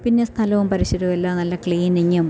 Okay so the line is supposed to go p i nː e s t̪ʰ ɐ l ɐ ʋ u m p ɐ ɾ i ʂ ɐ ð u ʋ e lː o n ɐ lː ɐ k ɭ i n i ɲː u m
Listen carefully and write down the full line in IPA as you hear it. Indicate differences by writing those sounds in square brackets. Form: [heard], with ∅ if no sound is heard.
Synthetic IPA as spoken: p i nː e s t̪ʰ ɐ l ɐ ʋ u m p ɐ ɾ i [ɕ] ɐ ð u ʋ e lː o n ɐ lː ɐ k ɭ [iː] n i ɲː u m